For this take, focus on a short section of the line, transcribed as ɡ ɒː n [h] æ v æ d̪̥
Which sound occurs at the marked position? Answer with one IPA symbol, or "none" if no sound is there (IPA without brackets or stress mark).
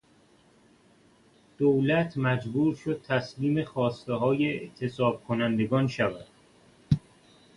ʃ